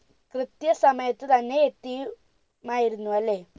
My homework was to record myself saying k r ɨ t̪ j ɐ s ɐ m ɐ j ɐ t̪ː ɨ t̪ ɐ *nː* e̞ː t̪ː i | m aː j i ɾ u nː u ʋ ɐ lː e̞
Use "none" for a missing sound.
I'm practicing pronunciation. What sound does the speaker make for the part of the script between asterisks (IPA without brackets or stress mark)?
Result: nː